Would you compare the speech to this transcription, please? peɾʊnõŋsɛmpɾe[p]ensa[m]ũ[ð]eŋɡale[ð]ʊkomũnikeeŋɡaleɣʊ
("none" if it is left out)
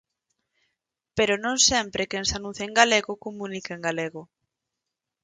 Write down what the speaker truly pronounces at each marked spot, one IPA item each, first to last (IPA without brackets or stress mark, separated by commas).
k, n, θ, ɣ